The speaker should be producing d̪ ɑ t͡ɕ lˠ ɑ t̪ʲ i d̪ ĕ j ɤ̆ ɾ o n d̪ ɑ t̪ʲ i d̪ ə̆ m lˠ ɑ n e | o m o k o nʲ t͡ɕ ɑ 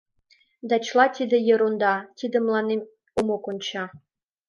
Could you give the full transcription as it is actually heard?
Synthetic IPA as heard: d̪ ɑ t͡ɕ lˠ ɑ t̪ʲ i d̪ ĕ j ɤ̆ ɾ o n d̪ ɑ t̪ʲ i d̪ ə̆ m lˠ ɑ n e | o m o k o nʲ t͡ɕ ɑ